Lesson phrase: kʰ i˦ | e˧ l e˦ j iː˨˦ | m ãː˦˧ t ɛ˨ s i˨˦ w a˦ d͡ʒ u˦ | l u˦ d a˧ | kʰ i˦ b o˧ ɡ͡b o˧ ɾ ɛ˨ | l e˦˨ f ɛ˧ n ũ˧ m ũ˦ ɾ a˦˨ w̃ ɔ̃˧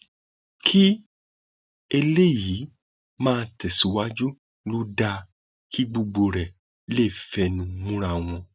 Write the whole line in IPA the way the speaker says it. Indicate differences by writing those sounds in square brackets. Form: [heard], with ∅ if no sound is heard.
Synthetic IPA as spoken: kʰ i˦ | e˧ l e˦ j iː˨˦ | m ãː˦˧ t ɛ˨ s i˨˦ w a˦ d͡ʒ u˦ | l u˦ d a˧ | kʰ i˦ [ɡ͡b] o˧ ɡ͡b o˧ ɾ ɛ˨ | l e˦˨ f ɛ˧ n ũ˧ m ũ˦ ɾ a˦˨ w̃ ɔ̃˧

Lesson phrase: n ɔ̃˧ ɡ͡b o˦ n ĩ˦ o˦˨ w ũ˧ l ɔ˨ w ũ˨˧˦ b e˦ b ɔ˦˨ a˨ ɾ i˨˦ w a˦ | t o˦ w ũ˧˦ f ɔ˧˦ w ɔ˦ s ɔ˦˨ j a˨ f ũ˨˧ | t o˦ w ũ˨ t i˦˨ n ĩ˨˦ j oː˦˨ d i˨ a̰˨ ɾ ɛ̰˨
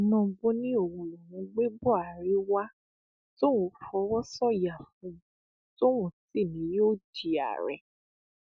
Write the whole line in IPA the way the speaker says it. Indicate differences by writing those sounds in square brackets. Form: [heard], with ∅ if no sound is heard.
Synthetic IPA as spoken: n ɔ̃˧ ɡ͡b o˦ n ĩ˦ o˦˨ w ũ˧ l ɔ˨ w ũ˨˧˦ [ɡ͡b] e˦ b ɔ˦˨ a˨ ɾ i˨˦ w a˦ | t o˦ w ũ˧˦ f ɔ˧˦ w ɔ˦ s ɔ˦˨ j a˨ f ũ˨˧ | t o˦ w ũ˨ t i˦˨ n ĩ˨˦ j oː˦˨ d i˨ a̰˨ ɾ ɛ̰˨

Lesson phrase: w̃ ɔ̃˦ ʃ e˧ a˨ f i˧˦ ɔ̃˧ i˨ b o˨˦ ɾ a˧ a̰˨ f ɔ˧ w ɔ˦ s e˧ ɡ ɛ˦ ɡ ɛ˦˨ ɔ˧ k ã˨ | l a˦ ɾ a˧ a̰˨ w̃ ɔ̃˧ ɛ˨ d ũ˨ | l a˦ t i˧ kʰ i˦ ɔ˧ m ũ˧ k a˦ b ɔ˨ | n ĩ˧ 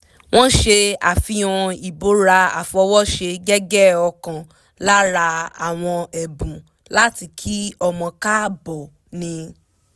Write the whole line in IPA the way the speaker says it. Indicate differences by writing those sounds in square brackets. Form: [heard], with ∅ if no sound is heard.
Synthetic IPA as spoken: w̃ ɔ̃˦ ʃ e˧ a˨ f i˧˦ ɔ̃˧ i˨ b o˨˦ ɾ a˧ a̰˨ f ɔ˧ w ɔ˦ [ʃ] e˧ ɡ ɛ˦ ɡ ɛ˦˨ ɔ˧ k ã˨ | l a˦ ɾ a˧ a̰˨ w̃ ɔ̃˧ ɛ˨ [b] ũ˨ | l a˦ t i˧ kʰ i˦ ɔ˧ m [ɔ̃˧] k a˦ b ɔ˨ | n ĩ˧

